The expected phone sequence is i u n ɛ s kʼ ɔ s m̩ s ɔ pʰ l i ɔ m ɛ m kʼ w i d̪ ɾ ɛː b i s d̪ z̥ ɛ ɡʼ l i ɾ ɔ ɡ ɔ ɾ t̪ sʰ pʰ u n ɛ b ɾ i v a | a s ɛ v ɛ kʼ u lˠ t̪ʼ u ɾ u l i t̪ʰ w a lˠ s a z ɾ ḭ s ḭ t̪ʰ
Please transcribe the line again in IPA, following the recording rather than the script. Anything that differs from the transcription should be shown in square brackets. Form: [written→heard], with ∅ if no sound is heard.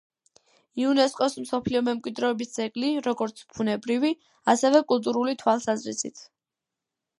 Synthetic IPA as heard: i u n ɛ s kʼ ɔ s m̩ s ɔ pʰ l i ɔ m ɛ m kʼ w i d̪ ɾ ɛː b i s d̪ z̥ ɛ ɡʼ l i ɾ ɔ ɡ ɔ ɾ t̪ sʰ pʰ u n ɛ b ɾ i v [a→i] | a s ɛ v ɛ kʼ u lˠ t̪ʼ u ɾ u l i t̪ʰ w a lˠ s a z ɾ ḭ s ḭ t̪ʰ